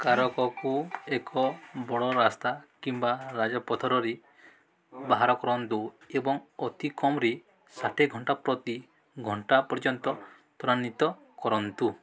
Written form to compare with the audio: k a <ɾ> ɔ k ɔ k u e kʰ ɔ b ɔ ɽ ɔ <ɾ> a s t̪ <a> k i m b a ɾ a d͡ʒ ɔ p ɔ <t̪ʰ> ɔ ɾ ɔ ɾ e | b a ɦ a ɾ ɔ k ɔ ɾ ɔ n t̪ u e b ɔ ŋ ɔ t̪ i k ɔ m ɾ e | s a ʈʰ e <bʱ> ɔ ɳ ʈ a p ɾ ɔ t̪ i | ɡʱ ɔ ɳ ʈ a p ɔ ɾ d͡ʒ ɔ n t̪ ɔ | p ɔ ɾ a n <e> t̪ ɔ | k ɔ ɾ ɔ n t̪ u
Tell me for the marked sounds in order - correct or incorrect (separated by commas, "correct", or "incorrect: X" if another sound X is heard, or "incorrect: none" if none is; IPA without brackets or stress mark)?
correct, correct, correct, correct, incorrect: ɡʱ, incorrect: i